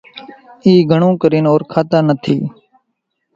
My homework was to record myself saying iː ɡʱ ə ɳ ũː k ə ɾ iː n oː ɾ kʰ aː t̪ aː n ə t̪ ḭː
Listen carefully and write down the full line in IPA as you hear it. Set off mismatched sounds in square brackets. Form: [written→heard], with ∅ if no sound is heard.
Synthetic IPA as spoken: iː ɡʱ ə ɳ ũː k ə ɾ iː n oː ɾ kʰ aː t̪ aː n ə [t̪→t̪ʰ] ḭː